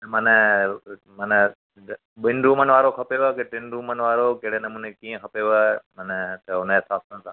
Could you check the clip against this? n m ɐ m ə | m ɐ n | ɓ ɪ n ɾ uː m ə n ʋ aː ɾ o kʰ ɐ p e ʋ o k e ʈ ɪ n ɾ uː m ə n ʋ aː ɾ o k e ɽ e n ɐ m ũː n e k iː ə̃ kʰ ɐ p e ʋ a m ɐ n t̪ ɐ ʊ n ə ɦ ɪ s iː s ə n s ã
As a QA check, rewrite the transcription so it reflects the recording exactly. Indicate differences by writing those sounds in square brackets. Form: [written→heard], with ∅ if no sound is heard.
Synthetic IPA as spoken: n m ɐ [m→n] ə | m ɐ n | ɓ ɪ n ɾ uː m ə n ʋ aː ɾ o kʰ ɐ p e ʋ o k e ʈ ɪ n ɾ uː m ə n ʋ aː ɾ o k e ɽ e n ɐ m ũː n e k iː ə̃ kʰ ɐ p e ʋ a m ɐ n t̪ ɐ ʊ n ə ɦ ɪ s [iː→aː] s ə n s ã